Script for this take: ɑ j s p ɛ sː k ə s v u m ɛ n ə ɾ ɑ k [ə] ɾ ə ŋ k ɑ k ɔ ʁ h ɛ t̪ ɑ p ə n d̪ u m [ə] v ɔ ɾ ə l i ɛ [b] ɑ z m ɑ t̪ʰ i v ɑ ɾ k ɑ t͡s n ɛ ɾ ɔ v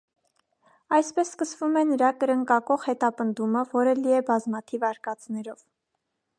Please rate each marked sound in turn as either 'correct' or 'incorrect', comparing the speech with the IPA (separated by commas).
correct, correct, correct